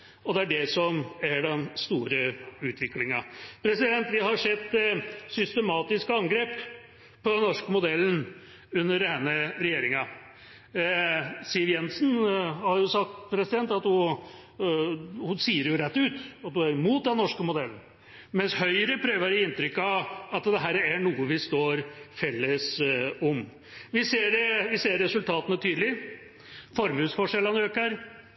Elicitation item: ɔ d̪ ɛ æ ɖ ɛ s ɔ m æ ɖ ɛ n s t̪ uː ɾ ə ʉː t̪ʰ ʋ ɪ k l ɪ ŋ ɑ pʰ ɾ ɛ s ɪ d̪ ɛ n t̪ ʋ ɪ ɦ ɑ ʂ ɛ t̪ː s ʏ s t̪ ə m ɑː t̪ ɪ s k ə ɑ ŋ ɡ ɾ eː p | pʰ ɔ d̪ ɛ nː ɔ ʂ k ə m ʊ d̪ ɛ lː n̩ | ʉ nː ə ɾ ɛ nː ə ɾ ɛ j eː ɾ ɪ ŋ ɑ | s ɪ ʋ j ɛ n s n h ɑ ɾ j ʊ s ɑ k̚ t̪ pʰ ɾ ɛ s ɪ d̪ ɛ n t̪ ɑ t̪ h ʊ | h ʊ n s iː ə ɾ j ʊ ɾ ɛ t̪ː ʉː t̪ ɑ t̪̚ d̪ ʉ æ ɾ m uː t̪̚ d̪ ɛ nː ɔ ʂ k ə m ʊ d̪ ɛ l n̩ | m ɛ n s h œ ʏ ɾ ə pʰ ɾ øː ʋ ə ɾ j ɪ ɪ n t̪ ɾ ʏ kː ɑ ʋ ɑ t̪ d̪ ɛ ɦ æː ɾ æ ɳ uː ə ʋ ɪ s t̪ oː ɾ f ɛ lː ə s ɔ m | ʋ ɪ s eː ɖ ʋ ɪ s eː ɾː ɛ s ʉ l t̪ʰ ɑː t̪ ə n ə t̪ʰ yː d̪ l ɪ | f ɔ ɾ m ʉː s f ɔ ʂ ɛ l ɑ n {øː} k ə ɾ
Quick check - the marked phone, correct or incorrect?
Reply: correct